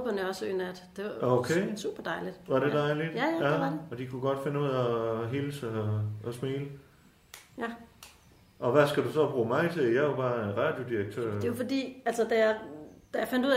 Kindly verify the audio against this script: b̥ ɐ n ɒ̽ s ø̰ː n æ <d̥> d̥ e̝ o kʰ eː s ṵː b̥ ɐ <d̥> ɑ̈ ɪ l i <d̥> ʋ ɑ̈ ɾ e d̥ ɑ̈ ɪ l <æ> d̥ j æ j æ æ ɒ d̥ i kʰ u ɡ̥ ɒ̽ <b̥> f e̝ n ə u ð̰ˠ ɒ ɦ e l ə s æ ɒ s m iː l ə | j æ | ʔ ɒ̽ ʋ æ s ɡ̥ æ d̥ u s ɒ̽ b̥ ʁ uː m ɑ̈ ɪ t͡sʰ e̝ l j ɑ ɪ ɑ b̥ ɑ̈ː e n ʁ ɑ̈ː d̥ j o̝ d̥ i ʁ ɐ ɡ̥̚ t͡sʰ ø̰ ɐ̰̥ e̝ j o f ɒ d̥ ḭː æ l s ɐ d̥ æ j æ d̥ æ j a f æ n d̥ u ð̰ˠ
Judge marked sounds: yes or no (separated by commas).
yes, yes, yes, no, no